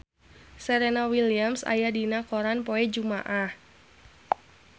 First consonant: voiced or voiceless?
voiceless